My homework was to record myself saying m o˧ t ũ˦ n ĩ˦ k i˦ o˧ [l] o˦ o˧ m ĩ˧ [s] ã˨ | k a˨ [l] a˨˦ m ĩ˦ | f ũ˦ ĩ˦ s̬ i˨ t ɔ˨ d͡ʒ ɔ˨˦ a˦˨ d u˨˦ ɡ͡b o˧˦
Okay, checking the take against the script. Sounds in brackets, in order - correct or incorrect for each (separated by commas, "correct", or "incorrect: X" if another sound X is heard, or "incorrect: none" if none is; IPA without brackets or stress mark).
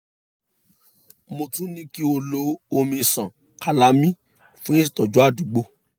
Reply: correct, correct, correct